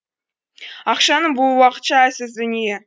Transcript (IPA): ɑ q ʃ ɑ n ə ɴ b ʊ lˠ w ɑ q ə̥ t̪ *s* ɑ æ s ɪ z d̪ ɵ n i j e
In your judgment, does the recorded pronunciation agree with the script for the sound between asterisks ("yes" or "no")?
no